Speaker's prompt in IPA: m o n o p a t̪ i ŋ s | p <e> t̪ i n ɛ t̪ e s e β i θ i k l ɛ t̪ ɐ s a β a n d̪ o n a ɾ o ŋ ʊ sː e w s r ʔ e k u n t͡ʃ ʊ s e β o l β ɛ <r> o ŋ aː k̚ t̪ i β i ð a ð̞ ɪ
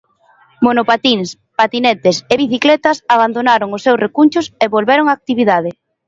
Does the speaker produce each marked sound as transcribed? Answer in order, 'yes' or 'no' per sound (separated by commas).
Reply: no, no